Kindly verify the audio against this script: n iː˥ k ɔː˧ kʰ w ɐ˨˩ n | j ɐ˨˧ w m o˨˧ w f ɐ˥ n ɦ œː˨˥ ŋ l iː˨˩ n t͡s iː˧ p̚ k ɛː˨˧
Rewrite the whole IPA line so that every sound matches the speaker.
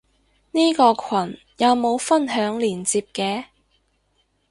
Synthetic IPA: n iː˥ k ɔː˧ kʰ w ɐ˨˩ n | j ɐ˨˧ w m o˨˧ w f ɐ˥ n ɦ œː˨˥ ŋ l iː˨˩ n t͡s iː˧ p̚ k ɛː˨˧